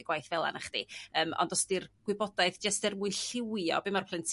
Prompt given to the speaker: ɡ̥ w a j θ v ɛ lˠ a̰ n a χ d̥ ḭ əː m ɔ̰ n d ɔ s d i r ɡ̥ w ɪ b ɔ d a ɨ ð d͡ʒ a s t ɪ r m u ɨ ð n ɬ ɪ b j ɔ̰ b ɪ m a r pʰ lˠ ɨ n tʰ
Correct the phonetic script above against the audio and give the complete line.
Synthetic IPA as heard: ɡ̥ w a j θ v ɛ lˠ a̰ n a χ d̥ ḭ əː m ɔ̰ n d ɔ s d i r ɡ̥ w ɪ b ɔ d a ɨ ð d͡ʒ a s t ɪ r m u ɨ n ɬ ɪ w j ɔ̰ b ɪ m a r pʰ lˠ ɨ n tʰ